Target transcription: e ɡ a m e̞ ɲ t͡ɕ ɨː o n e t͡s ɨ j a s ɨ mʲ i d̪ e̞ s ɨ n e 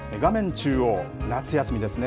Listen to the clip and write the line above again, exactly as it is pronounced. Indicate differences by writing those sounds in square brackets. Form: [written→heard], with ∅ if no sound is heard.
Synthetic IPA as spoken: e ɡ a m [e̞→ẽ̞] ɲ t͡ɕ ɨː o n [e→a] t͡s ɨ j a s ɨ mʲ i d̪ e̞ s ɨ n e